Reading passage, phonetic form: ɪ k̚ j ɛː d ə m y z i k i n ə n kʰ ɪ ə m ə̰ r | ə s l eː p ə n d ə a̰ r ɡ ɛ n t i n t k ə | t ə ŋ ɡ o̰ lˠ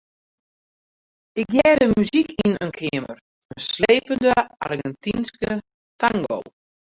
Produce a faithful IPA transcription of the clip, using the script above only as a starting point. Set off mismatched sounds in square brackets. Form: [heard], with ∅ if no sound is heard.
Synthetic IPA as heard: ɪ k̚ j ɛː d ə m y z i k i n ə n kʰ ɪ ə m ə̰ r | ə s l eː p ə n d ə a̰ r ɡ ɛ n t i n [s] k ə | t [a] ŋ ɡ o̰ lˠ

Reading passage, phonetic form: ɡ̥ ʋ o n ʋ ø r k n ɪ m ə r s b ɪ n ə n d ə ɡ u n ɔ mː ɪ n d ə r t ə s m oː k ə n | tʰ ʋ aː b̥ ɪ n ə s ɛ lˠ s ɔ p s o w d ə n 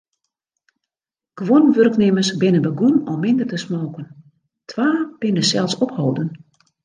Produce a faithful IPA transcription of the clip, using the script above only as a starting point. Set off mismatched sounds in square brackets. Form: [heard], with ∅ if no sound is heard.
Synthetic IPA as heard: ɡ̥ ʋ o n ʋ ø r k n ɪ m ə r s b ɪ n ə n [b] ə ɡ u n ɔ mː ɪ n d ə r t ə s m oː k ə n | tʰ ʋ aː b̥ ɪ n ə s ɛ lˠ s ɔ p [h] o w d ə n

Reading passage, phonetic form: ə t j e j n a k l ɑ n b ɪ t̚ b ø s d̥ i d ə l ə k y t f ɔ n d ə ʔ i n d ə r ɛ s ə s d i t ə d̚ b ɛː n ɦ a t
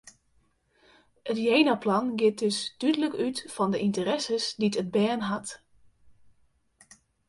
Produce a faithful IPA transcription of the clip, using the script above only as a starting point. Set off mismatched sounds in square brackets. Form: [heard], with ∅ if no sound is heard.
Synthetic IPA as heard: ə t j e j n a [p] l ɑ n [ɡ] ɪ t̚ [d] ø s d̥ [y] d ə l ə k y t f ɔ n d ə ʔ i n [t] ə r ɛ s ə s d i t ə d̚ b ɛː n ɦ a t

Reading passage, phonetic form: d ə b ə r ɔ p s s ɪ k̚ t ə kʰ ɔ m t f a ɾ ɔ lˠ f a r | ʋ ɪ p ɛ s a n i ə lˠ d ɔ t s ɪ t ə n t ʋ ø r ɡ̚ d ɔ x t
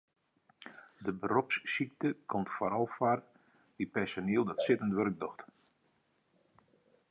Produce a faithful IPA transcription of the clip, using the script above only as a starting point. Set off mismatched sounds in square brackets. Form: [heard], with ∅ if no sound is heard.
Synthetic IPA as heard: d ə b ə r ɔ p s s [i] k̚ t ə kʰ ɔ m t f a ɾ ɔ lˠ f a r | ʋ [i] p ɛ s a n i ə lˠ d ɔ t s ɪ t ə n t ʋ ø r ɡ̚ d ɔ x t

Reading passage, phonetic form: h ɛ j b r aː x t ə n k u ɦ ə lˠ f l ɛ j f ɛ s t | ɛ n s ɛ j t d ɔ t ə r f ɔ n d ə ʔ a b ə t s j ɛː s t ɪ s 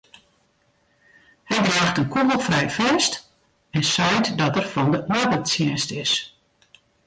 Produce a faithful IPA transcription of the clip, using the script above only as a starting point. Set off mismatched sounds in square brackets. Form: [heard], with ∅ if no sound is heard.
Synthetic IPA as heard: h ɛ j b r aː x t ə n k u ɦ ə lˠ f [r] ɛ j f ɛ s t | ɛ n s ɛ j t d ɔ t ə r f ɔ n d ə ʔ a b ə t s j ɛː s t ɪ s

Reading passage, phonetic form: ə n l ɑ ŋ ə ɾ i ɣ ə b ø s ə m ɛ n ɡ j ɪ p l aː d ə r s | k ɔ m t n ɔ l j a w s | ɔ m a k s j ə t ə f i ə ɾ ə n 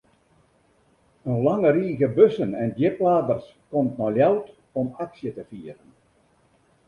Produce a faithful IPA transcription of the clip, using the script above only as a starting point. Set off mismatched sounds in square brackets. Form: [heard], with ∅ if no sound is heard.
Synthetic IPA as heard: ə n l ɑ ŋ ə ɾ [iː] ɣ ə b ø s ə [n] ɛ n [d] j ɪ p l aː d ə r s | k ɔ m t n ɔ l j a w [t] | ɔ m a k s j ə t ə f i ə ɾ ə n

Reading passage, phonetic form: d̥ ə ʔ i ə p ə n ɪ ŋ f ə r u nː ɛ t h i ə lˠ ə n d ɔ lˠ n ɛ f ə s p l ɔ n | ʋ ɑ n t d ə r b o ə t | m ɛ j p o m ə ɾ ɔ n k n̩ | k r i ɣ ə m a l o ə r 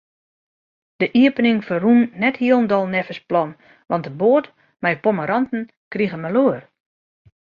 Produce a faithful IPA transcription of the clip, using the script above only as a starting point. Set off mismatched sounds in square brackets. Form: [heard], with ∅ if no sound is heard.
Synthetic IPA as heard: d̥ ə ʔ i ə p ə n ɪ ŋ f ə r u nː ɛ t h i ə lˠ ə n d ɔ lˠ n ɛ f ə s p l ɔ n | ʋ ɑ n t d ə [∅] b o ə t | m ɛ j p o m ə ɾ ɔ n [t] n̩ | k r i ɣ ə m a l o ə r

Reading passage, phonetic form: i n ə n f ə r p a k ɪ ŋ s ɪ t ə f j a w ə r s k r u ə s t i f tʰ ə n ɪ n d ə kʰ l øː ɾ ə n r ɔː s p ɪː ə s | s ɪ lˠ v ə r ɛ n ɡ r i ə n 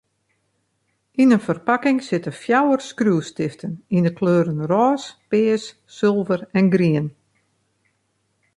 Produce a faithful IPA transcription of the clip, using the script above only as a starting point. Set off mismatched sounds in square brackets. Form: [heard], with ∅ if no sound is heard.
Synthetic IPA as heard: i n ə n f ə r p a k ɪ ŋ s ɪ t ə f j a w ə r s k r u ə s t [ɪ] f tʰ ə n [i] n d ə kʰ l øː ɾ ə n r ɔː s p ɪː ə s | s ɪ lˠ v ə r ɛ n ɡ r i ə n

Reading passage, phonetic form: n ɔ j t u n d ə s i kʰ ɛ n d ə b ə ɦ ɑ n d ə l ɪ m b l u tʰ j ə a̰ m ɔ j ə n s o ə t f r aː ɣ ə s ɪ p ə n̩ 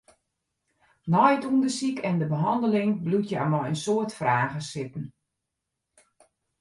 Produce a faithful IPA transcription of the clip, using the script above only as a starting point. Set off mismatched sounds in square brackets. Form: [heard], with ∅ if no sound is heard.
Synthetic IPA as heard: n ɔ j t u n d ə s i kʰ ɛ n d ə b ə ɦ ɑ n d ə l ɪ [ŋ] b l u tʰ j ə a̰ m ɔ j ə n s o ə t f r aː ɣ ə s ɪ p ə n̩

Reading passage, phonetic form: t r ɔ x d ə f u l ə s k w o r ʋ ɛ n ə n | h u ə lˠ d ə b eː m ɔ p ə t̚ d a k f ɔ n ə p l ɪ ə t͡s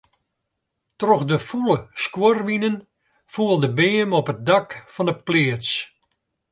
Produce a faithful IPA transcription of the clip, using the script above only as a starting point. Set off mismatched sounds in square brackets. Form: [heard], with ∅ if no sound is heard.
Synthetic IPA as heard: t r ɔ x d ə f u l ə s k w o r ʋ [i] n ə n | [f] u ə lˠ d ə b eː m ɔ p ə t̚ d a k f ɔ n ə p l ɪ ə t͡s

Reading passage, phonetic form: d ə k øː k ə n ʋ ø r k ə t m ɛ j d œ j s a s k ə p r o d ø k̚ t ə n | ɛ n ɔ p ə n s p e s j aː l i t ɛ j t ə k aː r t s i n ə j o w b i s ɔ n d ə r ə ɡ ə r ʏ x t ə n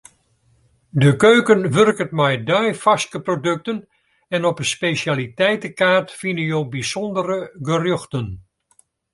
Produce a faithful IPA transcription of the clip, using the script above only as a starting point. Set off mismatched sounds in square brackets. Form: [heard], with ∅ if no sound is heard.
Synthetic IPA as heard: d ə k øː k ə n ʋ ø r k ə t m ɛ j d œ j [f] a s k ə p r o d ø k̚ t ə n | ɛ n ɔ p ə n s p e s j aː l i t ɛ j t ə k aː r t [f] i n ə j o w b i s ɔ n d ə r ə ɡ ə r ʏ x t ə n

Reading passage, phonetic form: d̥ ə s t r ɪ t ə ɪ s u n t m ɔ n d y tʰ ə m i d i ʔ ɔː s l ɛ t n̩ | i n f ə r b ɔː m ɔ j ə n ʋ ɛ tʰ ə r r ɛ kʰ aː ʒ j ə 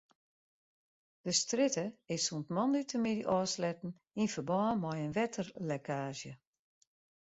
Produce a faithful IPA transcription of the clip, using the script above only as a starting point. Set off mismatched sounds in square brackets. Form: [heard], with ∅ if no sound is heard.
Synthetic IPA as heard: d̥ ə s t r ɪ t ə ɪ s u n t m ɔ n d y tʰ ə m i d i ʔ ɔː s l ɛ t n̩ | i n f ə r b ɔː m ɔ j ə n ʋ ɛ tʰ ə r [l] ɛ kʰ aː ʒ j ə

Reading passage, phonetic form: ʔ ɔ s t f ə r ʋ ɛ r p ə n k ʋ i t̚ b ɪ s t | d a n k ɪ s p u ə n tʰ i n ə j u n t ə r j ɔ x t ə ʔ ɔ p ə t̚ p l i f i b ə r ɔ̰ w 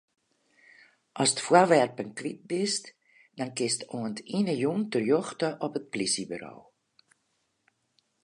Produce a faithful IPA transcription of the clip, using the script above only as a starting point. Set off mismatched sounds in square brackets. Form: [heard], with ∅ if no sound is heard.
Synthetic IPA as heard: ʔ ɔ s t f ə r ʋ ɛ r p ə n k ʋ i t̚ b ɪ s t | d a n k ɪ s [t] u ə n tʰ i n ə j u n t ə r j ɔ x t ə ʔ ɔ p ə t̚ p l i [s] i b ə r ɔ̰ w

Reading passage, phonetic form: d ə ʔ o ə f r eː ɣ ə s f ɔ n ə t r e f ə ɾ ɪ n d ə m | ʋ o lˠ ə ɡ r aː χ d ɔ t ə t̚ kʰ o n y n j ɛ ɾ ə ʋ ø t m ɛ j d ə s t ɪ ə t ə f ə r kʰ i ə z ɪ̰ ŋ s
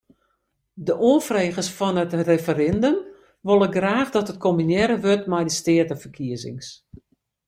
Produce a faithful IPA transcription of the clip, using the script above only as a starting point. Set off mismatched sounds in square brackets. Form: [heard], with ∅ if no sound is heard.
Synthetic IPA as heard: d ə ʔ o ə f r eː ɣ ə s f ɔ n ə t r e f ə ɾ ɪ n d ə m | ʋ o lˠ ə ɡ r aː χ d ɔ t ə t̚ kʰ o [m] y n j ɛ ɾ ə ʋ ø t m ɛ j d ə s t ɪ ə t ə f ə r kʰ i ə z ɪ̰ ŋ s

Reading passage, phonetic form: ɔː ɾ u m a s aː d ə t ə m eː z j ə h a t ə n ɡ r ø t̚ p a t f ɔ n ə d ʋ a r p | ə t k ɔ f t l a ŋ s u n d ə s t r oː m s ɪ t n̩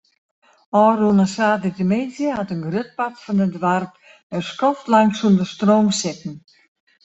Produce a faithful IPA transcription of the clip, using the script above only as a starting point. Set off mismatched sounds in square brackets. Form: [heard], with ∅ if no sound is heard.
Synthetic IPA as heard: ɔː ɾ u [n] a s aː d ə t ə m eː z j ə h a t ə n ɡ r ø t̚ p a t f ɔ n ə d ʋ a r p | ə [s] k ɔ f t l a ŋ s u n d ə s t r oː m s ɪ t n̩

